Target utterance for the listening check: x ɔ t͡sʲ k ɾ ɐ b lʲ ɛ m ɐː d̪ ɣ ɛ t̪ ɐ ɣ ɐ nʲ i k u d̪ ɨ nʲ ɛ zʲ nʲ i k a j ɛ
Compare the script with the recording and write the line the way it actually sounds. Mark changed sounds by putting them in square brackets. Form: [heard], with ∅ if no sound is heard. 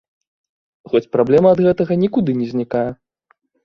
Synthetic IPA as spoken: x ɔ t͡sʲ [p] ɾ [a] b lʲ ɛ m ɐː d̪ ɣ ɛ t̪ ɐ ɣ ɐ nʲ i k u d̪ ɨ nʲ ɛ zʲ nʲ i k a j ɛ